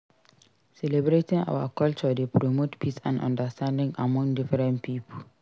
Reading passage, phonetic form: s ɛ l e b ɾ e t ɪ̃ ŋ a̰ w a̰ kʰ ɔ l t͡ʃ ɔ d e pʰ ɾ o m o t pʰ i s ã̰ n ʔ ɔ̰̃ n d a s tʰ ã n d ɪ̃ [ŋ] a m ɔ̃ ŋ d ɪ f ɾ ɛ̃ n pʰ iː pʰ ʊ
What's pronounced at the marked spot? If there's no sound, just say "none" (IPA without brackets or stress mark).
ŋ